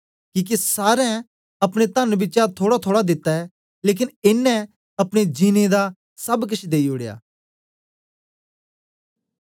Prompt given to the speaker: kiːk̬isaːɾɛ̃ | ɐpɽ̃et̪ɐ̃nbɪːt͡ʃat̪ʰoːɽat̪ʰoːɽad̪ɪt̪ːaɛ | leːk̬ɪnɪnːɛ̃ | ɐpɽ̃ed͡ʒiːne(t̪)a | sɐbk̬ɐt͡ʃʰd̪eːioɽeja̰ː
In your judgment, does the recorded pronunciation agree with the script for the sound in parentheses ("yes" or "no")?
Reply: no